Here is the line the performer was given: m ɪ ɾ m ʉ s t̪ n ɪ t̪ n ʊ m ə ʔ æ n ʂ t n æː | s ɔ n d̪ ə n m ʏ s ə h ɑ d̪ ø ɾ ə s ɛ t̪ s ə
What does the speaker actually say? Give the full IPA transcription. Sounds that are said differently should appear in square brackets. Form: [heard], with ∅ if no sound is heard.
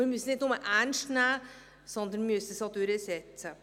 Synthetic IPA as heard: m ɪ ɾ m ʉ s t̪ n ɪ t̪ n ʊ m ə ʔ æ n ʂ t n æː | s ɔ n d̪ ə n m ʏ s ə [s] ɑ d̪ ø ɾ ə s ɛ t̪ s ə